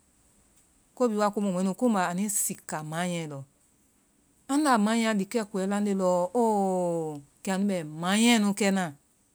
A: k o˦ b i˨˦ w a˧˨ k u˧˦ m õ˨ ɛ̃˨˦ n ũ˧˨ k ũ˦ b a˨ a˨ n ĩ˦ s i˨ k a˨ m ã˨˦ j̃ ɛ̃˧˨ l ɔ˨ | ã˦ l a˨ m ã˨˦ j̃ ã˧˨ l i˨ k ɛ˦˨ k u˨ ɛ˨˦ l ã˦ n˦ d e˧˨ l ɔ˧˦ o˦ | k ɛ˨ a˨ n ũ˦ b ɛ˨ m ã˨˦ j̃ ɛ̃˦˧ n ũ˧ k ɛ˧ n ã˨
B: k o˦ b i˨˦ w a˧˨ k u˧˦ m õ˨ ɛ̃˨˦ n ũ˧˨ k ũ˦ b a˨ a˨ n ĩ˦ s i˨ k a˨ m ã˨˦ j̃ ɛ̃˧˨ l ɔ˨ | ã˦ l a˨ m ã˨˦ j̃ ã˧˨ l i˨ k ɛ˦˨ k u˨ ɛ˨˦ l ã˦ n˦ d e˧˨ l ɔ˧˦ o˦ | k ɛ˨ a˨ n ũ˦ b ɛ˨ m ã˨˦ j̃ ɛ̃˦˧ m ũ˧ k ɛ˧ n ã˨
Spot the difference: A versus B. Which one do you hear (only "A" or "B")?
A